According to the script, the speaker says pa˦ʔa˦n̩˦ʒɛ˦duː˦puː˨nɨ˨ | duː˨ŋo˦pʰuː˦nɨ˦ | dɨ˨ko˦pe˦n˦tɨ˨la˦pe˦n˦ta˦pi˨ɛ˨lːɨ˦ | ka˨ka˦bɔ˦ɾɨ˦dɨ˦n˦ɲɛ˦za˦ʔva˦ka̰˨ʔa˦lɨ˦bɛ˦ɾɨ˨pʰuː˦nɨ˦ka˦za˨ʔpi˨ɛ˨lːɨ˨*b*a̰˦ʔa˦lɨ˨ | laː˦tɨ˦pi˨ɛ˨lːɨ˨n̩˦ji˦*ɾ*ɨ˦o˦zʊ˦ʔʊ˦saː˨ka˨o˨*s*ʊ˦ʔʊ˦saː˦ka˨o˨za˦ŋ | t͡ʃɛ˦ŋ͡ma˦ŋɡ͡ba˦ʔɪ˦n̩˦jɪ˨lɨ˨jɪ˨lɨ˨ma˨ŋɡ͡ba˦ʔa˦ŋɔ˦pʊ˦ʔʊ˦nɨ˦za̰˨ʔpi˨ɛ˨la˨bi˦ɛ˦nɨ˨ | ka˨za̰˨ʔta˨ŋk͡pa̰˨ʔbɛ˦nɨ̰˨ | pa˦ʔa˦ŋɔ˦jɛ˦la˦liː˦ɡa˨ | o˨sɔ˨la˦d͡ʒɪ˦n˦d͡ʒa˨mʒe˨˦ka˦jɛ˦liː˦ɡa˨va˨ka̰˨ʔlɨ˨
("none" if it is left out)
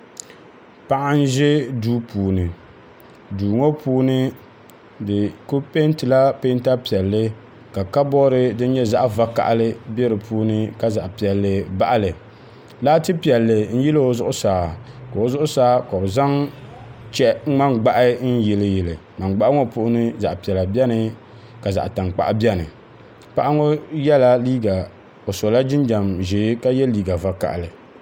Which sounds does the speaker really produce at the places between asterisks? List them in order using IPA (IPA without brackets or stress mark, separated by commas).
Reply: b, l, z